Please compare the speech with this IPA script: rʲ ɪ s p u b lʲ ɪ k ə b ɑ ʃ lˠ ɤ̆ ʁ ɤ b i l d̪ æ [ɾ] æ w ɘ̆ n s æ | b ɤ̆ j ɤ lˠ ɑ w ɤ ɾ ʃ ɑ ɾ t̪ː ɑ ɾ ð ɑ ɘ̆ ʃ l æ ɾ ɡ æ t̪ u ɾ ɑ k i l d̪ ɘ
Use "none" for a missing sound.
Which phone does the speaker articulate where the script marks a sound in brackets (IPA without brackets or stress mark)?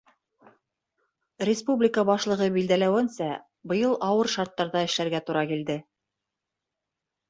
l